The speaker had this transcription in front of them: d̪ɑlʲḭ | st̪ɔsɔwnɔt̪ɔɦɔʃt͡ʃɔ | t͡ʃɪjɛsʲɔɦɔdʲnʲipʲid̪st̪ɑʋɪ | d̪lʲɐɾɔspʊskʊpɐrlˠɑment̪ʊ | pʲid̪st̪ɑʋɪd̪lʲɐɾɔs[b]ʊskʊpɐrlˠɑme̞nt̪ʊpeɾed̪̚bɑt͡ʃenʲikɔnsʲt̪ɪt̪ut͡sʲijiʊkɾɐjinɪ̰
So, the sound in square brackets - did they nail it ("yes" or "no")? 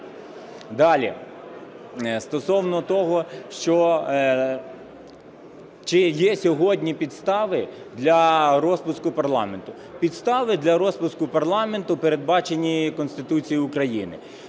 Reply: no